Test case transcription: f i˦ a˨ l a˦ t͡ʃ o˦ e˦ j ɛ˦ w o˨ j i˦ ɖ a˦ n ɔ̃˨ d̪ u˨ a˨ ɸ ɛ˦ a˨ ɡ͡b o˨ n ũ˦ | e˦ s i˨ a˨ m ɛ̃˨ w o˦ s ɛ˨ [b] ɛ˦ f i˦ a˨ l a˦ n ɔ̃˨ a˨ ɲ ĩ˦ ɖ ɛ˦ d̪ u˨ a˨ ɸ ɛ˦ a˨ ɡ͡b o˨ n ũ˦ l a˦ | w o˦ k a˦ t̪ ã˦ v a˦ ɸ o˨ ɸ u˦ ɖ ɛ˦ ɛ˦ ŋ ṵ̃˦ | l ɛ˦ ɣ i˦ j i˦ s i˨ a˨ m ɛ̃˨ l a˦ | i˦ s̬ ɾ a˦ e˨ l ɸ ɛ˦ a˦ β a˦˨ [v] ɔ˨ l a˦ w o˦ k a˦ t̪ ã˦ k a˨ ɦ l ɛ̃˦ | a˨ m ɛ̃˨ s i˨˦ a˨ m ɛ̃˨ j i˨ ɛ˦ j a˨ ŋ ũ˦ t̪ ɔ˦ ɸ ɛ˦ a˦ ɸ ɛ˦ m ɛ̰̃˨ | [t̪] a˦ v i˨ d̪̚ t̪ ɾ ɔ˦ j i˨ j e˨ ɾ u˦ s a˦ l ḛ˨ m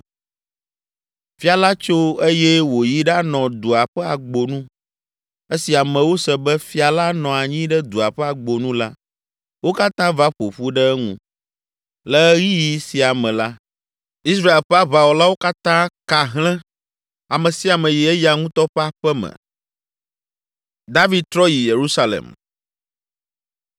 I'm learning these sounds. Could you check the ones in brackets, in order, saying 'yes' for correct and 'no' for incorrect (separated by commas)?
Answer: yes, no, no